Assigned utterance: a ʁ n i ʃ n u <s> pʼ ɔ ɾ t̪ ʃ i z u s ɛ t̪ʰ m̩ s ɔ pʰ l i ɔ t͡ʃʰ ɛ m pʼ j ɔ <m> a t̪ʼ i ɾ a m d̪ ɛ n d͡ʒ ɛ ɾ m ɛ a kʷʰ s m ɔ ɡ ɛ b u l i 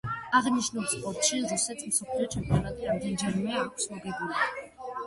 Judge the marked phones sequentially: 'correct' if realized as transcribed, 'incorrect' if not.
correct, incorrect: n

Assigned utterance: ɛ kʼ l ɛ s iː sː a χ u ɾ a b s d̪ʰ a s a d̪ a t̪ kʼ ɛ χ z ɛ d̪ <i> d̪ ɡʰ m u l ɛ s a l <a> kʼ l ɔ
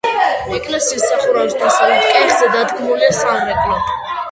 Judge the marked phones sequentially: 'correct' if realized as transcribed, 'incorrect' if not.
incorrect: a, incorrect: ɛ

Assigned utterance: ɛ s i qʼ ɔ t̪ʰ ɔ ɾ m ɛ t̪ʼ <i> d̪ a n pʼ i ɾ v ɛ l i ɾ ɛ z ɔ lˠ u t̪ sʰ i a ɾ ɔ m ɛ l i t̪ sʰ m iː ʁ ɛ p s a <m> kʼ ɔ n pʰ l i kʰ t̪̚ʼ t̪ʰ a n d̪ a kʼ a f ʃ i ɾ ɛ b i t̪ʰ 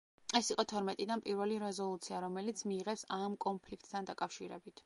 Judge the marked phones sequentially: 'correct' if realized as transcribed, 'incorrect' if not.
correct, correct

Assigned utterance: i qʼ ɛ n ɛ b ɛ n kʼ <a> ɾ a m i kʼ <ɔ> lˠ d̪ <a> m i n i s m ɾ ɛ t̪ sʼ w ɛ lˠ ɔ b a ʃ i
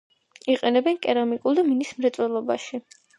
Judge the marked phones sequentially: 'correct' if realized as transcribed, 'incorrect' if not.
incorrect: ɛ, incorrect: u, correct

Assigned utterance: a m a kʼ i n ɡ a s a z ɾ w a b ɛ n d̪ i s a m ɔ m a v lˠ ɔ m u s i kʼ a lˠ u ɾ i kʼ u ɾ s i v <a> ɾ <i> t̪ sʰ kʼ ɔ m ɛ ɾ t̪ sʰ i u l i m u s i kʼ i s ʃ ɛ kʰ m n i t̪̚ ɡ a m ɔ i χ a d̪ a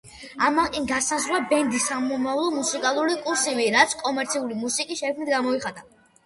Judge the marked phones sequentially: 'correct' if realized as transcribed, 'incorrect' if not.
incorrect: i, incorrect: a

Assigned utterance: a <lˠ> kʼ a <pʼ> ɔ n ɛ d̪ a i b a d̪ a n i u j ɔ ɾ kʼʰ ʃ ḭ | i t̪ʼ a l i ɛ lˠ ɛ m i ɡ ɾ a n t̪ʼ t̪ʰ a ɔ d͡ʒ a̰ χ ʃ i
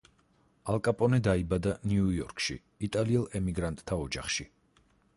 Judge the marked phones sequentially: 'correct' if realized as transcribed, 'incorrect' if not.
correct, correct

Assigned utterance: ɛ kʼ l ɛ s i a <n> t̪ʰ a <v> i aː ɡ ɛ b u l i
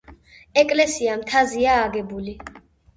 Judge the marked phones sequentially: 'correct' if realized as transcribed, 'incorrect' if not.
incorrect: m, incorrect: z

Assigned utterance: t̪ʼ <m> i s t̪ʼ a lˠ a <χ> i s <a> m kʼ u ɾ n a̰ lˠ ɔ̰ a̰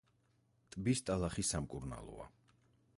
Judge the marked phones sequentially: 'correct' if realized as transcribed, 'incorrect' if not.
incorrect: b, correct, correct

